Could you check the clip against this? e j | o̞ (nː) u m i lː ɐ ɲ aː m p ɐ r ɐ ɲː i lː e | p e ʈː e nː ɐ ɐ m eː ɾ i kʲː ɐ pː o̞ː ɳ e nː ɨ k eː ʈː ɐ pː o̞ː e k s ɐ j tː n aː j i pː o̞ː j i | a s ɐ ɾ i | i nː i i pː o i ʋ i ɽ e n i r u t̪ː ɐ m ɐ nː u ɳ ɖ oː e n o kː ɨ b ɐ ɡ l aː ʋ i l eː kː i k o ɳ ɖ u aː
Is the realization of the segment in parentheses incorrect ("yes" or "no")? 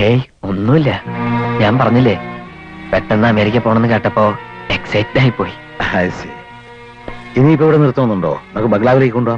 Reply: no